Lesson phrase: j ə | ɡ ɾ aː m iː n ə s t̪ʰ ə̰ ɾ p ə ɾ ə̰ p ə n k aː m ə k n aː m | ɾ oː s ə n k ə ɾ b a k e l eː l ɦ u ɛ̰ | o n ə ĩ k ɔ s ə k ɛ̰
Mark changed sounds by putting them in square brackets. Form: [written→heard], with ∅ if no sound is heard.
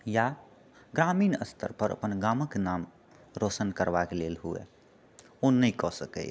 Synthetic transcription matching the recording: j [ə→a] | ɡ ɾ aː m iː n ə s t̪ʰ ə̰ ɾ p ə ɾ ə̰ p ə n [k→ɡ] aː m ə k n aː m | ɾ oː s ə n k ə ɾ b a k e l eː l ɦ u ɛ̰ | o n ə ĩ k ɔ s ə k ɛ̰